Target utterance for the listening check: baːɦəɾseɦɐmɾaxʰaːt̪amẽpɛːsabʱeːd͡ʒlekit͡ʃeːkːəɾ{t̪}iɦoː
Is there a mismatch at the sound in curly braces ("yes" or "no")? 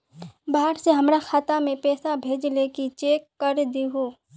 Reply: yes